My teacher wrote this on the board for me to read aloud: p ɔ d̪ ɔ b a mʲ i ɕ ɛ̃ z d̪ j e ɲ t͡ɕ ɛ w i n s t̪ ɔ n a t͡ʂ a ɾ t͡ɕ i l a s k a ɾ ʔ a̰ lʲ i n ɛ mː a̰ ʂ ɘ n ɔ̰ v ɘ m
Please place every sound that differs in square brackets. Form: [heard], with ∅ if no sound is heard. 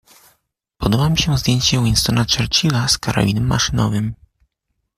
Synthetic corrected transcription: p ɔ d̪ ɔ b a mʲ i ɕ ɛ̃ z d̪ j e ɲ t͡ɕ ɛ w i n s t̪ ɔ n a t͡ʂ [ɛ] ɾ t͡ɕ i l a s k a ɾ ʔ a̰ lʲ i n ɛ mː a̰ ʂ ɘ n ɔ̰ v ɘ m

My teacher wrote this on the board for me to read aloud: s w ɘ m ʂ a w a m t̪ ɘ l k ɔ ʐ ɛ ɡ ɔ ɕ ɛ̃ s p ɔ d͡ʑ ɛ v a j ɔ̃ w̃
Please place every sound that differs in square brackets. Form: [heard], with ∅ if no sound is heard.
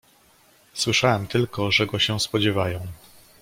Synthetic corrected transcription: s w ɘ [∅] ʂ a w [ɛ] m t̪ ɘ l k ɔ ʐ ɛ ɡ ɔ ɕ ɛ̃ s p ɔ d͡ʑ ɛ v a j ɔ̃ w̃

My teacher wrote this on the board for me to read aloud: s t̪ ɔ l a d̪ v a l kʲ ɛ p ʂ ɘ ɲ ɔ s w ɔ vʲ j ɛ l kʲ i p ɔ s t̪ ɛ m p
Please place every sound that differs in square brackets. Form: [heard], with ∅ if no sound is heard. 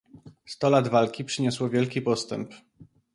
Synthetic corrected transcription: s t̪ ɔ l a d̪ v a l kʲ [i] p ʂ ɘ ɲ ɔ s w ɔ vʲ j ɛ l kʲ i p ɔ s t̪ ɛ m p

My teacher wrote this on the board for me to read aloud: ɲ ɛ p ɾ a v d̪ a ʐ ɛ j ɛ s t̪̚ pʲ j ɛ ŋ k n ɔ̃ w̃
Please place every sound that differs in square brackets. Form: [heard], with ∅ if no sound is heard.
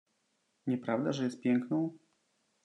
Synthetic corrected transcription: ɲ ɛ p ɾ a v d̪ a ʐ ɛ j ɛ s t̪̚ pʲ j ɛ ŋ k n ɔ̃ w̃

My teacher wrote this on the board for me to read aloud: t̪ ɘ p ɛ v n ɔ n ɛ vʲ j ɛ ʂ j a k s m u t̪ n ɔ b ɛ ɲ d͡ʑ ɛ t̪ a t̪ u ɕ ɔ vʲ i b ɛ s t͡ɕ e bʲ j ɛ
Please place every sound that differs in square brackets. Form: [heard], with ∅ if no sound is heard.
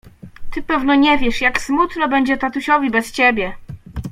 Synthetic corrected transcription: t̪ ɘ p ɛ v n ɔ [ɲ] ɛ vʲ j ɛ ʂ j a k s m u t̪ n ɔ b ɛ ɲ d͡ʑ ɛ t̪ a t̪ u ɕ ɔ vʲ i b ɛ s t͡ɕ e bʲ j ɛ

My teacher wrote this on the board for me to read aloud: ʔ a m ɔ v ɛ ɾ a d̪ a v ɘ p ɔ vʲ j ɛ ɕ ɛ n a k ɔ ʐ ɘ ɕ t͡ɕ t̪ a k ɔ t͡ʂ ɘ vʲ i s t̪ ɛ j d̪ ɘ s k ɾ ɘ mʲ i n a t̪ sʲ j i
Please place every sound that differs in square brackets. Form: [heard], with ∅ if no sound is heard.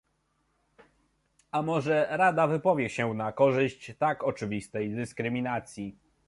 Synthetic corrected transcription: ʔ a m ɔ [ʐ] ɛ ɾ a d̪ a v ɘ p ɔ vʲ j ɛ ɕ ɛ n a k ɔ ʐ ɘ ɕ t͡ɕ t̪ a k ɔ t͡ʂ ɘ vʲ i s t̪ ɛ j d̪ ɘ s k ɾ ɘ mʲ i n a t̪ sʲ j i

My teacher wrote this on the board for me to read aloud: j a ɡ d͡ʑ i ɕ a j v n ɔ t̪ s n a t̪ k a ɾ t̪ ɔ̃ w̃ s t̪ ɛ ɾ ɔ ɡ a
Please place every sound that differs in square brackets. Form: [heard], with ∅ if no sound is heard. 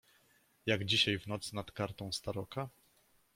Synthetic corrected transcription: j a ɡ d͡ʑ i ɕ a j v n ɔ t̪ s n a t̪ k a ɾ t̪ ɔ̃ w̃ s t̪ [a] ɾ ɔ [k] a

